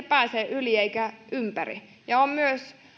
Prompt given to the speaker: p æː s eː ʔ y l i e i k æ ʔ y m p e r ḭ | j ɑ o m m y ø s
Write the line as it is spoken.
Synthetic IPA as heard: p æː s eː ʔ y l i e i k æ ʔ y m p æ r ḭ | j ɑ o m m y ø s